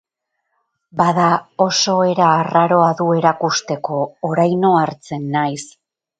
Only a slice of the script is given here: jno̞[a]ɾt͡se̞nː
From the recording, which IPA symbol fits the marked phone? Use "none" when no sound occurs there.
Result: a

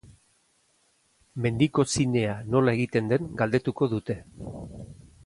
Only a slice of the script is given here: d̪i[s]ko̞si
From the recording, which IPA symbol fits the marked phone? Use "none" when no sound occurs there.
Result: none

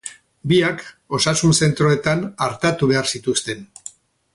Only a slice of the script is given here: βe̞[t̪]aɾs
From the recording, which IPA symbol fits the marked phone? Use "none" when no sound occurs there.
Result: none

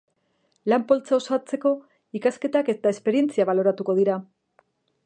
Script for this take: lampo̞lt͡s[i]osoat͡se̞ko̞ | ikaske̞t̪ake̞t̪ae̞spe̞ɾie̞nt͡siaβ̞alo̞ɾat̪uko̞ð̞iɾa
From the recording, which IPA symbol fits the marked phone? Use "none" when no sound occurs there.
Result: a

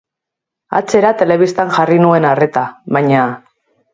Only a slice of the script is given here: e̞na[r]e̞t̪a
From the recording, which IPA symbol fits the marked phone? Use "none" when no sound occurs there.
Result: r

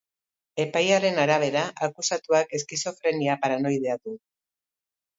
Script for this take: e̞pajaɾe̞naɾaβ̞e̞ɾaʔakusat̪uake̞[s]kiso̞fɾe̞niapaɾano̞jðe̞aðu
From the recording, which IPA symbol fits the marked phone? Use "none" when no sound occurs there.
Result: s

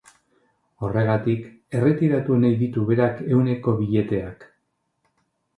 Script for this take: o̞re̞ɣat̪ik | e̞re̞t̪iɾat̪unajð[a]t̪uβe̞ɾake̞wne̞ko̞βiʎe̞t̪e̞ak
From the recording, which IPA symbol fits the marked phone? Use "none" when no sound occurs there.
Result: i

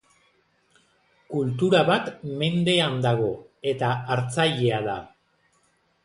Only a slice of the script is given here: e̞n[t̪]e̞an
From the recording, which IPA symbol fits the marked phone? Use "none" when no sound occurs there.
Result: d̪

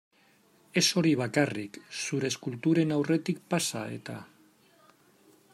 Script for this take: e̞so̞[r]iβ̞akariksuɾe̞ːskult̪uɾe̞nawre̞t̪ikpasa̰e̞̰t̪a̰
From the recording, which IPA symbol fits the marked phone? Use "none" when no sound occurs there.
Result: ɾ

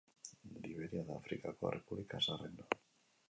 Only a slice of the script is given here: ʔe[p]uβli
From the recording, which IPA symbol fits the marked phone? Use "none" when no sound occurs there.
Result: p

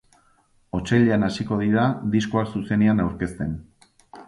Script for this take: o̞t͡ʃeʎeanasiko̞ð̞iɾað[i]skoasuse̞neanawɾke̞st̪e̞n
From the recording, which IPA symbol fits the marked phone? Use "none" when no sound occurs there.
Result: i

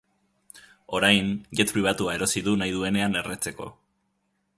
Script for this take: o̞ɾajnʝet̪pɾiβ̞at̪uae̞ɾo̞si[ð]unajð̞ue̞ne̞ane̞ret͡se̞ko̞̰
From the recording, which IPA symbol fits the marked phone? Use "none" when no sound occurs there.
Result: ð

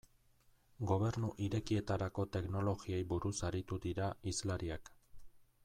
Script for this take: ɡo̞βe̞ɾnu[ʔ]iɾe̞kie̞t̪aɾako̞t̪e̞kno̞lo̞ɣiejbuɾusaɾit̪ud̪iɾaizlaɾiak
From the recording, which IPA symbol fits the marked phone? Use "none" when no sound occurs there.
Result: ʔ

